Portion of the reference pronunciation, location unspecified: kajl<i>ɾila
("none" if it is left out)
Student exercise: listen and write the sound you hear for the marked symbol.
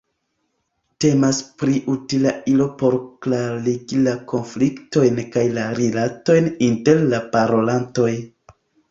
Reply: a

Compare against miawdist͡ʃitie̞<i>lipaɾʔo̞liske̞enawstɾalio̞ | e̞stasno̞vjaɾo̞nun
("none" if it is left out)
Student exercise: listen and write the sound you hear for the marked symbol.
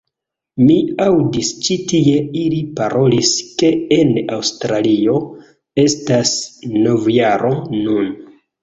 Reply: i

